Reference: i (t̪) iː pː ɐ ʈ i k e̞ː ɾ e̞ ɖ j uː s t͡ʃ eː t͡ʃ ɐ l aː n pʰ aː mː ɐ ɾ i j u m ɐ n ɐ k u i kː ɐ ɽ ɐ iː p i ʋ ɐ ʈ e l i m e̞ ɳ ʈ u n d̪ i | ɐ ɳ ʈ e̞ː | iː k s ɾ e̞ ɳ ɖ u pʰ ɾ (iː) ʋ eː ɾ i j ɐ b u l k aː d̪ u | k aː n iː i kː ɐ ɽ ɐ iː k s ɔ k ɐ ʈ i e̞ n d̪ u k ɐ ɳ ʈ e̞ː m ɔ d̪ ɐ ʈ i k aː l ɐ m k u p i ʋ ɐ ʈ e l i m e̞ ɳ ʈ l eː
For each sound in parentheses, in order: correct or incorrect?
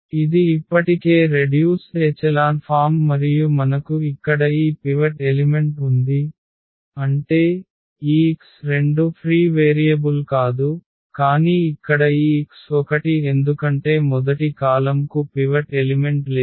incorrect, correct

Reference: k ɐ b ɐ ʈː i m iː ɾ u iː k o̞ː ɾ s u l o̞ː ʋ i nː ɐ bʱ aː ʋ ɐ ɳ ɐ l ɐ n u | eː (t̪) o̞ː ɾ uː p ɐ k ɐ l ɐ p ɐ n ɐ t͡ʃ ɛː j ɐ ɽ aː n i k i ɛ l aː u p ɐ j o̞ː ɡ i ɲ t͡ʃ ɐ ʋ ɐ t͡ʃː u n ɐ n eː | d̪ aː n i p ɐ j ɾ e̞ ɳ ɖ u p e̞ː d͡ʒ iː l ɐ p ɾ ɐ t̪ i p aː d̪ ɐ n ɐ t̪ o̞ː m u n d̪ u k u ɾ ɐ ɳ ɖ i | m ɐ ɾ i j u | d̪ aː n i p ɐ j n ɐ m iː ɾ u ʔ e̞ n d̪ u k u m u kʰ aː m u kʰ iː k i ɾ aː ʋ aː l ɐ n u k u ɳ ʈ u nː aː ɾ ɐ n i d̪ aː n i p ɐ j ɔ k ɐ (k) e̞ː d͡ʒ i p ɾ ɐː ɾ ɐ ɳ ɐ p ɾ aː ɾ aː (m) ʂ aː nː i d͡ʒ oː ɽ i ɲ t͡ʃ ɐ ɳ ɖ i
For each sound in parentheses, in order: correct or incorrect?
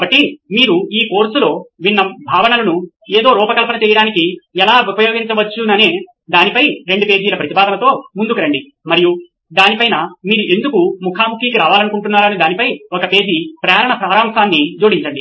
incorrect, incorrect, correct

